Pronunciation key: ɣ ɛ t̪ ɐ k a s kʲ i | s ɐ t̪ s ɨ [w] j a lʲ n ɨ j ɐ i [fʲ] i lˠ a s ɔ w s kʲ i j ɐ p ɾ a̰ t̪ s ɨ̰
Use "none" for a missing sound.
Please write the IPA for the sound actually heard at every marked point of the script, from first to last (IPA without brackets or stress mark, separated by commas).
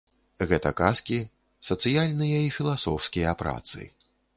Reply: none, fʲ